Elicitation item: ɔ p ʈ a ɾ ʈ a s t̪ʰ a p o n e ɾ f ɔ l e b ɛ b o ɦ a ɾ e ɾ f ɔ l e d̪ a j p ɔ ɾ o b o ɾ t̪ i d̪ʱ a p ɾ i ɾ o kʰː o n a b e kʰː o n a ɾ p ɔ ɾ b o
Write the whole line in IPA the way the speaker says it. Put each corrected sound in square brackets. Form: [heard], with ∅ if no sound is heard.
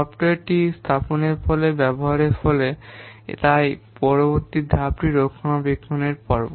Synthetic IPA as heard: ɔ p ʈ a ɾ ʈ [i] s t̪ʰ a p o n e ɾ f ɔ l e b ɛ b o ɦ a ɾ e ɾ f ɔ l e [t̪] a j p ɔ ɾ o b o ɾ t̪ i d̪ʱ a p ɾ i ɾ o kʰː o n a b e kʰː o n [e] ɾ p ɔ ɾ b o